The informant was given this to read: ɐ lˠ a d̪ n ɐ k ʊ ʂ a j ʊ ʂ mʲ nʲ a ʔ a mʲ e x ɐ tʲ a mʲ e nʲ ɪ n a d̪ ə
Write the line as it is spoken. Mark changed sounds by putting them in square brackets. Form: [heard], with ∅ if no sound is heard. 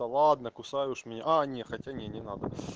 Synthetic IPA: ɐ lˠ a d̪ n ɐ k ʊ [s] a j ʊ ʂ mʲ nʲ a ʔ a [nʲ] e x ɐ tʲ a [nʲ] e nʲ ɪ n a d̪ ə